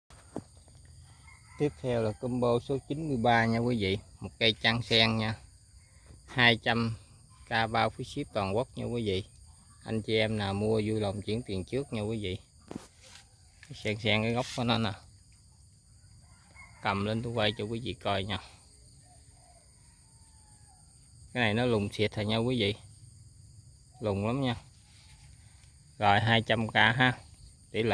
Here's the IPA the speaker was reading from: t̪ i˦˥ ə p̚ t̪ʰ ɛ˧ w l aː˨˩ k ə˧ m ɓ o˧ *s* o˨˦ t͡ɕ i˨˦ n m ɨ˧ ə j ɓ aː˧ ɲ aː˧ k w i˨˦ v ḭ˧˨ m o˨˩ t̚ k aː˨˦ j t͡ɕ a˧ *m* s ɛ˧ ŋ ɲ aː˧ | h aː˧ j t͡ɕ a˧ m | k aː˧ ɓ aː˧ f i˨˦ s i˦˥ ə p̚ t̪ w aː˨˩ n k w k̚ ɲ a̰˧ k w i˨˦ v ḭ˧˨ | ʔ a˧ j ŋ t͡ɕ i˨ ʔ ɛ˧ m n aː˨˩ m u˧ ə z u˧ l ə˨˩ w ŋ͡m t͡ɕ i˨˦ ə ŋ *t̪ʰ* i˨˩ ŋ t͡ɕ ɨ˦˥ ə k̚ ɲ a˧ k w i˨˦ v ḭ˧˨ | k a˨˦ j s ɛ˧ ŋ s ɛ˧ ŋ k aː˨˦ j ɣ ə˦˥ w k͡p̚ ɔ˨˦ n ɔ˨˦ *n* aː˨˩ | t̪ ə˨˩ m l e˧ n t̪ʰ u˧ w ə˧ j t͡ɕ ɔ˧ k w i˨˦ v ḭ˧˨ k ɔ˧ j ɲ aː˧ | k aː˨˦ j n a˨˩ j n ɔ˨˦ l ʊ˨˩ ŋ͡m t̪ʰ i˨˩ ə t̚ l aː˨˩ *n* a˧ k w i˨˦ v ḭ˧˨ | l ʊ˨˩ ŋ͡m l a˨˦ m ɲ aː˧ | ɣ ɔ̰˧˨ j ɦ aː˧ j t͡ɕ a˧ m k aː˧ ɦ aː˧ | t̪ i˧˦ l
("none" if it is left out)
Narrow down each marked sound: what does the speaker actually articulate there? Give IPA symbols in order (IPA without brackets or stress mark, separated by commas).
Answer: s, ŋ, t̪, n, ɲ